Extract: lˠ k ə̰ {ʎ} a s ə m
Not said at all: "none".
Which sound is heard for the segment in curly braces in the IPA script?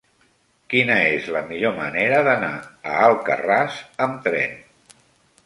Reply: r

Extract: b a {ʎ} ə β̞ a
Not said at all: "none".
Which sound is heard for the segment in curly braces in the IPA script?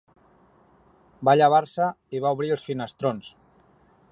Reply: ʎ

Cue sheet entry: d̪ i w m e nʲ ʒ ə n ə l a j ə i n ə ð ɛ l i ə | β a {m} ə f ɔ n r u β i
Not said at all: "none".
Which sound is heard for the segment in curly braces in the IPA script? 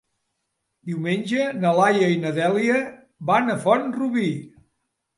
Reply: n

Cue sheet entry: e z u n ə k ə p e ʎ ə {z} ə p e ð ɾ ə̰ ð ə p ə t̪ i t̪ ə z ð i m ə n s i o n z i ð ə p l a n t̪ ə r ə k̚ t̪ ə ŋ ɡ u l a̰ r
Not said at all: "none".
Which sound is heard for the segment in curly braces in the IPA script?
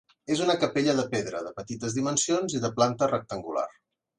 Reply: ð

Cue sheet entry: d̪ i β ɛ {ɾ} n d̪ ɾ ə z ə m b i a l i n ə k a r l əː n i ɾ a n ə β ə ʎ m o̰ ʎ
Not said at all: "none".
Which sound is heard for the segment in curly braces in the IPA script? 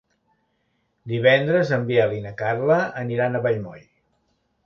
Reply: none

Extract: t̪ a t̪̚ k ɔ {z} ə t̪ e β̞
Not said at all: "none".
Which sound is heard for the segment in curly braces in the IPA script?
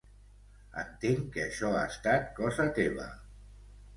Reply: z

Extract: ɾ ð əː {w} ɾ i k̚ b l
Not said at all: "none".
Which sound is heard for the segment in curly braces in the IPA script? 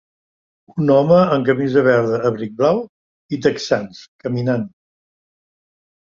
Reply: β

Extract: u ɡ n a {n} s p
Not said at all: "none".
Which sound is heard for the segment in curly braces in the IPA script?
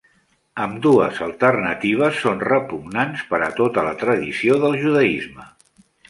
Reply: n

